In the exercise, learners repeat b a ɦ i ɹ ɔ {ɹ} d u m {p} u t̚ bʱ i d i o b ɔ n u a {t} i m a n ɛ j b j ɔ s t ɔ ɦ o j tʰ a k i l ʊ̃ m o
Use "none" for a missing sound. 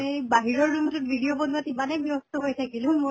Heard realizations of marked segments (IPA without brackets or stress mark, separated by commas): ɹ, t, t